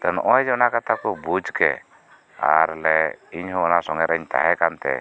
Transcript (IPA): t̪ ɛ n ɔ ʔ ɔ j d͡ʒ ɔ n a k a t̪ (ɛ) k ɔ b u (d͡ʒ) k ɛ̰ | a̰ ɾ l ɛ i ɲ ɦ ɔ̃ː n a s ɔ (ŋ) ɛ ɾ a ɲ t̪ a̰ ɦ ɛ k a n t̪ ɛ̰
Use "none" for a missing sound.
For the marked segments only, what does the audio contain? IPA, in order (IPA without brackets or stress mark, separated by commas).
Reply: a, d͡ʒ, ŋ